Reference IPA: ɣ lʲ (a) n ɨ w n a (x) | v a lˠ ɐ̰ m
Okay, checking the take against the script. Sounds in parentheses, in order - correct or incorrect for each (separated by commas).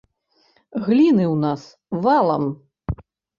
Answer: incorrect, incorrect